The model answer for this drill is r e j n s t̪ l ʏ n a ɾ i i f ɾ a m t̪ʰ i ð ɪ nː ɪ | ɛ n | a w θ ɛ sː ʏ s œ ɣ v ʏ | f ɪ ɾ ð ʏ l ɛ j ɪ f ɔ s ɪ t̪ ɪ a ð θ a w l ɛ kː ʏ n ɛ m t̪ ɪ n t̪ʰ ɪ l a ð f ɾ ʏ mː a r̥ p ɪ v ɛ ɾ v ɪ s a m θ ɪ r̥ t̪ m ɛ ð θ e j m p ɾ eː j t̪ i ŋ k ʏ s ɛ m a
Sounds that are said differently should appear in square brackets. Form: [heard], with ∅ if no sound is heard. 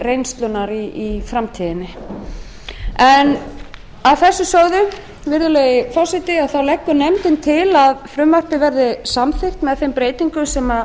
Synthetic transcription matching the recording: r e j n s t̪ l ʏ n a ɾ i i f ɾ a m t̪ʰ i ð ɪ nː ɪ | ɛ n | a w θ ɛ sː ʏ s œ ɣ [ð] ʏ | [v] ɪ ɾ ð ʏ l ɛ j ɪ f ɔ s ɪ t̪ ɪ a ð θ a w l ɛ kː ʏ n ɛ m t̪ ɪ n t̪ʰ ɪ l a ð f ɾ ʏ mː a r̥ p ɪ v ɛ ɾ [ð] ɪ s a m θ ɪ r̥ t̪ m ɛ ð θ e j m p ɾ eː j t̪ i ŋ k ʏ s ɛ m a